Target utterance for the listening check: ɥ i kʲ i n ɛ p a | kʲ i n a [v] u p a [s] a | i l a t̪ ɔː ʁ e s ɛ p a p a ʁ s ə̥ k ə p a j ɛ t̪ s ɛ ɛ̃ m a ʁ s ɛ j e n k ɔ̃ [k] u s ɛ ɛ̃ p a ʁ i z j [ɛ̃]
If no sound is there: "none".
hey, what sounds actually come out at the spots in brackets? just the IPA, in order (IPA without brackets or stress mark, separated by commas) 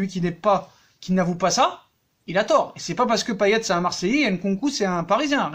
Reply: v, s, k, ɛ̃